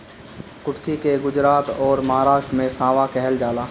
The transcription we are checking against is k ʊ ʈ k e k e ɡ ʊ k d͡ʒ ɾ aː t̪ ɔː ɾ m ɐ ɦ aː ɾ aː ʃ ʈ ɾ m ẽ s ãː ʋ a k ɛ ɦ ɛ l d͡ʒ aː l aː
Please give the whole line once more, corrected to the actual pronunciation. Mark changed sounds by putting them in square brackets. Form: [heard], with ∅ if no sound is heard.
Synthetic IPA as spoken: k ʊ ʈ k [i] k e ɡ ʊ [∅] d͡ʒ ɾ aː t̪ ɔː ɾ m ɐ ɦ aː ɾ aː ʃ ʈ ɾ m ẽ s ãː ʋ a k ɛ ɦ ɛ l d͡ʒ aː l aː